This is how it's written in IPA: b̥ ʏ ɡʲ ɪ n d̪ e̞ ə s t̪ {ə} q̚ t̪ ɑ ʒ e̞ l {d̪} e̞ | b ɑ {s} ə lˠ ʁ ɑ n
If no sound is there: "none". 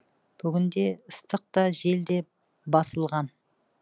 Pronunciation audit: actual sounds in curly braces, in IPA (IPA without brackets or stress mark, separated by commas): ə, d̪, s